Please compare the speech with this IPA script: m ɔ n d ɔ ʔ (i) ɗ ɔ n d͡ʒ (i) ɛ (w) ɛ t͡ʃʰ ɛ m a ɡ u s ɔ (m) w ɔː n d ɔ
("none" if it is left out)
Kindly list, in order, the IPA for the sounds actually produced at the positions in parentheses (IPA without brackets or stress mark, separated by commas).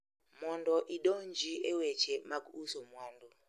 i, i, w, m